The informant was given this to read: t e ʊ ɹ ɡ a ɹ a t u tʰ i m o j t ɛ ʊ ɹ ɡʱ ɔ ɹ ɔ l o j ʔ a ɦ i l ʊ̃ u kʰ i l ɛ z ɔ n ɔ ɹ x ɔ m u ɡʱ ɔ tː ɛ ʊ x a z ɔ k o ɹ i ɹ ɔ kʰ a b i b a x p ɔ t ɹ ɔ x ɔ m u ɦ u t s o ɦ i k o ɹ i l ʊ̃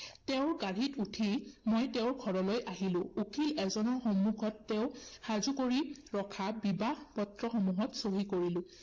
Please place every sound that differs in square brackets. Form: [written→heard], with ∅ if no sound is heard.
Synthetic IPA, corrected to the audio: t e ʊ ɹ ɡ a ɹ [a→i] t u tʰ i m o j t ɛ ʊ ɹ ɡʱ ɔ ɹ ɔ l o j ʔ a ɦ i l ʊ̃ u kʰ i l ɛ z ɔ n ɔ ɹ x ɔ m u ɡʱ ɔ tː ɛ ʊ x a z [ɔ→u] k o ɹ i ɹ ɔ kʰ a b i b a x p ɔ t ɹ ɔ x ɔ m u ɦ [u→ɔ] t s o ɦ i k o ɹ i l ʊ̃

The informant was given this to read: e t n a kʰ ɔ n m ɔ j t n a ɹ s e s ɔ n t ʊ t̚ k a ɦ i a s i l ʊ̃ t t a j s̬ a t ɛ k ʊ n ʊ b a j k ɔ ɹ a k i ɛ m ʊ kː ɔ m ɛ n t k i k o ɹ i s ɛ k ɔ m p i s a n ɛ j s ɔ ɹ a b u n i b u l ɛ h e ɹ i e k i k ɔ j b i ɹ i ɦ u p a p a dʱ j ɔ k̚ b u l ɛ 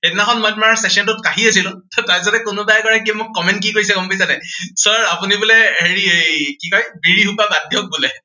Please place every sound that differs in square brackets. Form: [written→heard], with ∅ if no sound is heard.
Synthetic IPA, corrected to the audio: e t n a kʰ ɔ n m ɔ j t [n→m] a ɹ s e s ɔ n t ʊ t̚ k a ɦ i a s i l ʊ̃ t t a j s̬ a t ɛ k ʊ n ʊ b a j k ɔ ɹ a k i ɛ m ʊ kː ɔ m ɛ n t k i k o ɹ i s ɛ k ɔ m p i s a n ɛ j s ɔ ɹ a [b→p] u n i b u l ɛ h e ɹ i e k i k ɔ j b i ɹ i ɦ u p a [p→b] a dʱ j ɔ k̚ b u l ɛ

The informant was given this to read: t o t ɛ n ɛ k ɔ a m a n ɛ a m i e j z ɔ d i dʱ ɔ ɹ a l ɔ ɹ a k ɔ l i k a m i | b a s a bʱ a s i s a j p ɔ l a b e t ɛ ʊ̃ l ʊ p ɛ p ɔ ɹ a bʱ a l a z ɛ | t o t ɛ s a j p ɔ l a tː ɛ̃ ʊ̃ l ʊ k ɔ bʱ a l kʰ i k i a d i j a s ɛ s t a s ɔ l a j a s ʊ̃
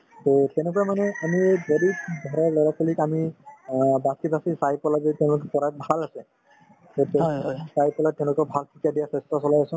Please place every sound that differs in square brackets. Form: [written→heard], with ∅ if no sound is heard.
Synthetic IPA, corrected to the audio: t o t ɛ n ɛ k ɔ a m a n ɛ a m i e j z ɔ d i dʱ ɔ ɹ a l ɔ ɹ a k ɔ l i k a m i | b a s [a→i] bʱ a s i s a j p ɔ l a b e t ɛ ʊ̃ l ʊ [p→k] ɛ p ɔ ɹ a bʱ a l a [z→s] ɛ | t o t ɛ s a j p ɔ l a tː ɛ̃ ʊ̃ l ʊ k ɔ bʱ a l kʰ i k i a d i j a s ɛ s t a s ɔ l a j a s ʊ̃

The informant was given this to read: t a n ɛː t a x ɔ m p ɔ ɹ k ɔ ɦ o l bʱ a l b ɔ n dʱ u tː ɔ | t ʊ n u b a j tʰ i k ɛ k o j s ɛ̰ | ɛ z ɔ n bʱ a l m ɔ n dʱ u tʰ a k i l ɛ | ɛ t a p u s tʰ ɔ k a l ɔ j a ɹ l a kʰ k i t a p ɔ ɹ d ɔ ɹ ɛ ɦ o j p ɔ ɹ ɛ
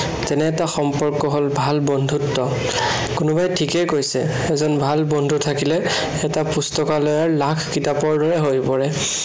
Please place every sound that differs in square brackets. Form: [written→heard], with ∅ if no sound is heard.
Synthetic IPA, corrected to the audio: t [a→ɛ] n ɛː t a x ɔ m p ɔ ɹ k ɔ ɦ o l bʱ a l b ɔ n dʱ u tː ɔ | [t→k] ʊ n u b a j tʰ i k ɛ k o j s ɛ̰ | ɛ z ɔ n bʱ a l [m→b] ɔ n dʱ u tʰ a k i l ɛ | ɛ t a p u s [tʰ→t] ɔ k a l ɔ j a ɹ l a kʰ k i t a p ɔ ɹ d ɔ ɹ ɛ ɦ o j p ɔ ɹ ɛ

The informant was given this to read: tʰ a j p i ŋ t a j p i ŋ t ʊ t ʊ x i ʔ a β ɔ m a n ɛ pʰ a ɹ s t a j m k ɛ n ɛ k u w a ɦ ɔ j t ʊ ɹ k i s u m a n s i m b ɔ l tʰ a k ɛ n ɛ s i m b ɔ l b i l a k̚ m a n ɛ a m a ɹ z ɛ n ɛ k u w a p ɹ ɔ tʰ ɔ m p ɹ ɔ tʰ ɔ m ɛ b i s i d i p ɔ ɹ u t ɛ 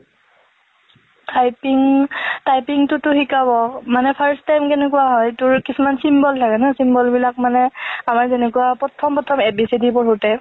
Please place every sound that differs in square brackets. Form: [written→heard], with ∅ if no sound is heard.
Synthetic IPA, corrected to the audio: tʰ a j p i ŋ t a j p i ŋ t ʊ t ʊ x i [ʔ→k] a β ɔ m a n ɛ pʰ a ɹ s t a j m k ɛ n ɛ k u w a ɦ ɔ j t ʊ ɹ k i s u m a n s i m b ɔ l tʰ a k ɛ n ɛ s i m b ɔ l b i l a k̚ m a n ɛ a m a ɹ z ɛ n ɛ k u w a p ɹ ɔ tʰ ɔ m p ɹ ɔ tʰ ɔ m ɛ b i s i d i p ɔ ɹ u t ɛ

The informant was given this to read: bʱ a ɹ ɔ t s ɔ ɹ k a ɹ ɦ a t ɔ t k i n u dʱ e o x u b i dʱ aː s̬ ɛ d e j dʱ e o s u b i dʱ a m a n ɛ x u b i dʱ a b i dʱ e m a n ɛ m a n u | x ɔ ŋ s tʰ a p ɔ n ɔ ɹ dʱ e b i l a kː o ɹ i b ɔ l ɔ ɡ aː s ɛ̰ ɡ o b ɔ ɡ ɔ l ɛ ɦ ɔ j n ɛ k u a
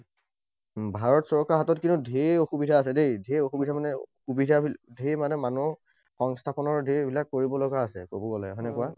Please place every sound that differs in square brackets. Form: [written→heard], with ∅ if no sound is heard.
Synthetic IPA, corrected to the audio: bʱ a ɹ ɔ t s ɔ ɹ k a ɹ ɦ a t ɔ t k i n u dʱ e o x u b i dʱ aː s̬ ɛ d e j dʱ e o [s→x] u b i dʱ a m a n ɛ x u b i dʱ a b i dʱ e m a n ɛ m a n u | x ɔ ŋ s tʰ a p ɔ n ɔ ɹ dʱ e b i l a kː o ɹ i b ɔ l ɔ ɡ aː s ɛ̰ [ɡ→k] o b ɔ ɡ ɔ l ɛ ɦ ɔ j n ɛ k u a

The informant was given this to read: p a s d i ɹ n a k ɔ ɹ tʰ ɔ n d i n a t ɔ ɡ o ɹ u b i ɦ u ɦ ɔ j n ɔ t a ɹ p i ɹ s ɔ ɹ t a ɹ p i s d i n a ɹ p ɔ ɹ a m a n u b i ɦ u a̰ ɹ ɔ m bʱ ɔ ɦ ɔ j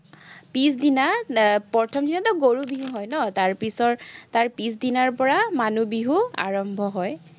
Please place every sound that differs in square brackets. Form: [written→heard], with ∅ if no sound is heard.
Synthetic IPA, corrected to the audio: p [a→i] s d i [ɹ→∅] n a [k→p] ɔ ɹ tʰ ɔ [n→m] d i n a t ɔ ɡ o ɹ u b i ɦ u ɦ ɔ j n ɔ t a ɹ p i [ɹ→∅] s ɔ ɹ t a ɹ p i s d i n a ɹ p ɔ ɹ a m a n u b i ɦ u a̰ ɹ ɔ m bʱ ɔ ɦ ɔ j

